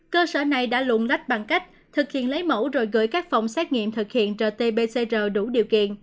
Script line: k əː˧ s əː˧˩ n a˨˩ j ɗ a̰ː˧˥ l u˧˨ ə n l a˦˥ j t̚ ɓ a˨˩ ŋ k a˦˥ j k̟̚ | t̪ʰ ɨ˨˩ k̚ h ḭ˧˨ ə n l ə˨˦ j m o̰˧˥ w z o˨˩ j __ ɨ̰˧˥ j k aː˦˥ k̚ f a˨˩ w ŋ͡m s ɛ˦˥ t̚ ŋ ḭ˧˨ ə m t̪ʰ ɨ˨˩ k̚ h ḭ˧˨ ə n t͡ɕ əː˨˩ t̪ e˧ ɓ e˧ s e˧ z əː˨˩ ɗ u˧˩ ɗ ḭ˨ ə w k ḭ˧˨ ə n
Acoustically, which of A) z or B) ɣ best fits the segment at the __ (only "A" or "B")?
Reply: B